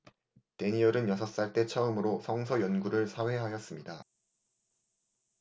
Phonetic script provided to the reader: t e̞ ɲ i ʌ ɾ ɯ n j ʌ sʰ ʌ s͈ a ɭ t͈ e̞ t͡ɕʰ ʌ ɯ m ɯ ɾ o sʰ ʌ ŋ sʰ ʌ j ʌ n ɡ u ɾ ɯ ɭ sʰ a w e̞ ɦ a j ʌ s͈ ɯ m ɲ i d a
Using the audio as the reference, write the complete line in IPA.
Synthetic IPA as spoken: t e̞ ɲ i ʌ ɾ ɯ n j ʌ sʰ ʌ s͈ a ɭ t͈ e̞ t͡ɕʰ ʌ ɯ m ɯ ɾ o sʰ ʌ ŋ sʰ ʌ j ʌ n ɡ u ɾ ɯ ɭ sʰ a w e̞ ɦ a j ʌ s͈ ɯ m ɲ i d a

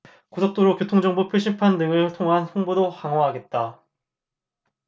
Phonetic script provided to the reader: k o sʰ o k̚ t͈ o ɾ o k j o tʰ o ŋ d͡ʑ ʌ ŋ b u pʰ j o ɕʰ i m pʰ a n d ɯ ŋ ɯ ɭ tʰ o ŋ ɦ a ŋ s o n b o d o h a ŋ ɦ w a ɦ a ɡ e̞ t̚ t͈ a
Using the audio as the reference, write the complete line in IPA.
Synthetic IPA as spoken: k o sʰ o k̚ t͈ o ɾ o k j o tʰ o ŋ d͡ʑ ʌ ŋ b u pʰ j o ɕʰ i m pʰ a n d ɯ ŋ ɯ ɭ tʰ o ŋ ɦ a n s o ŋ b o d o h a ŋ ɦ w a ɦ a ɡ e̞ t̚ t͈ a

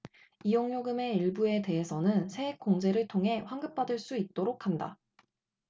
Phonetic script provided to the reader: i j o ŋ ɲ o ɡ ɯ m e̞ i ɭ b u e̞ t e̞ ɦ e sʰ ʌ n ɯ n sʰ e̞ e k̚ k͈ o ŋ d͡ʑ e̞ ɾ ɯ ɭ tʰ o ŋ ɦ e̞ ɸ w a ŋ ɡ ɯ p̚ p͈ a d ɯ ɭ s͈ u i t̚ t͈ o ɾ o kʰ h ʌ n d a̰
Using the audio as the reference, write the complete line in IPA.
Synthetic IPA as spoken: i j o ŋ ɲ o ɡ ɯ m e̞ i ɭ b u e̞ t e̞ ɦ e sʰ ʌ n ɯ n sʰ e̞ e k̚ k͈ o ŋ d͡ʑ e̞ ɾ ɯ ɭ tʰ o ŋ ɦ e̞ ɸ w a ŋ ɡ ɯ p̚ p͈ a d ɯ ɭ s͈ u i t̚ t͈ o ɾ o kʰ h a n d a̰

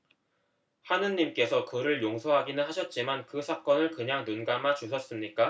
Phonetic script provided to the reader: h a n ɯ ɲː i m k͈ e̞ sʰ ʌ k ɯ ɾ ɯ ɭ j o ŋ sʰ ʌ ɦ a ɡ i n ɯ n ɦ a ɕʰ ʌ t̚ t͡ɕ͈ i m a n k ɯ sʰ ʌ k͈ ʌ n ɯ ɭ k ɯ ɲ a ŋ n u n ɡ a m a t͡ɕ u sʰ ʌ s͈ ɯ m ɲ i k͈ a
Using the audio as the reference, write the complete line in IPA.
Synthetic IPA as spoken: h a n ɯ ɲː i m k͈ e̞ sʰ ʌ k ɯ ɾ ɯ ɭ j o ŋ sʰ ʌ ɦ a ɡ i n ɯ n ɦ a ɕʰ ʌ t̚ t͡ɕ͈ i m a n k ɯ sʰ a k͈ ʌ n ɯ ɭ k ɯ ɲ a ŋ n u n ɡ a m a t͡ɕ u sʰ ʌ s͈ ɯ m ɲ i k͈ a

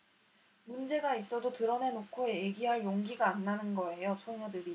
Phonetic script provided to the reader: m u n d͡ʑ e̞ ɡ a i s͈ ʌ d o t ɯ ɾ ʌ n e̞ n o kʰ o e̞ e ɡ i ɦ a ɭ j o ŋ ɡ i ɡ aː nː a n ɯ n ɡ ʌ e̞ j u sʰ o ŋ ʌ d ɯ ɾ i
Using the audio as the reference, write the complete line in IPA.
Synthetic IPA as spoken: m u n d͡ʑ e̞ ɡ a i s͈ ʌ d o t ɯ ɾ ʌ n e̞ n o kʰ o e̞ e ɡ i ɦ a ɭ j o ŋ ɡ i ɡ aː nː a n ɯ n ɡ ʌ e̞ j o sʰ o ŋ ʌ d ɯ ɾ i

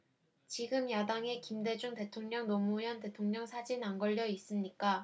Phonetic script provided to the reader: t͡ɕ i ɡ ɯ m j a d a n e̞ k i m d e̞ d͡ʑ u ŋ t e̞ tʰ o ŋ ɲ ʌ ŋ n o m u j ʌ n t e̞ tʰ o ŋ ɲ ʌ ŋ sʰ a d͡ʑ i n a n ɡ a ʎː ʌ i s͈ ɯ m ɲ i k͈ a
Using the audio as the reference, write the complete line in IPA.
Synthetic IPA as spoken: t͡ɕ i ɡ ɯ m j a d a ŋ e̞ k i m d e̞ d͡ʑ u ŋ t e̞ tʰ o ŋ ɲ ʌ ŋ n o m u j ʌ n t e̞ tʰ o ŋ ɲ ʌ ŋ sʰ a d͡ʑ i n a n ɡ ʌ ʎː ʌ i s͈ ɯ m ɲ i k͈ a

